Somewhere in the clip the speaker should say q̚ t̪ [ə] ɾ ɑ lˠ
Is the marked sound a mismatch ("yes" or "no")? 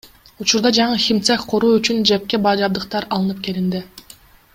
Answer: yes